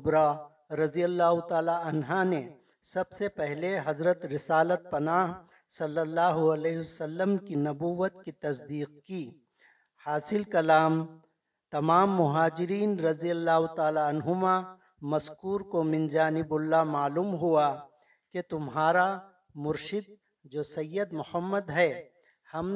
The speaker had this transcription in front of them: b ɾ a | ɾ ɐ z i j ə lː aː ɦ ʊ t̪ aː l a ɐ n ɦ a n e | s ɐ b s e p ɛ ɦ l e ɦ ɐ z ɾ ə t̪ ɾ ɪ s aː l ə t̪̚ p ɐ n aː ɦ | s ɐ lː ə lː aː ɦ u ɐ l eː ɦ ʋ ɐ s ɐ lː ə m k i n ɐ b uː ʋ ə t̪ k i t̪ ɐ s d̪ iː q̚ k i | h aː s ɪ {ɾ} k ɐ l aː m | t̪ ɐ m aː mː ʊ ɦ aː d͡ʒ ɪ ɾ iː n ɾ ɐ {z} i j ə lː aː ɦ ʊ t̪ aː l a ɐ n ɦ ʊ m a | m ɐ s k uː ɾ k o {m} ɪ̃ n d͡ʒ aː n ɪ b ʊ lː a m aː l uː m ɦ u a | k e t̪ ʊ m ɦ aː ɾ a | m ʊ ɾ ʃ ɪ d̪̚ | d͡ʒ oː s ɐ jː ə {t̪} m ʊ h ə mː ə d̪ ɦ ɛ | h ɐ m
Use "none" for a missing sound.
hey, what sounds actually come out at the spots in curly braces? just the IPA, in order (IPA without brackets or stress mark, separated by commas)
l, z, m, d̪